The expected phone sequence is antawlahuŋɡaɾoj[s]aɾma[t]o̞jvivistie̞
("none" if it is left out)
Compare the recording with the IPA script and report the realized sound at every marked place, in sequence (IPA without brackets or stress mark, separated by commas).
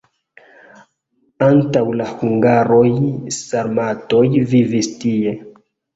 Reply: s, t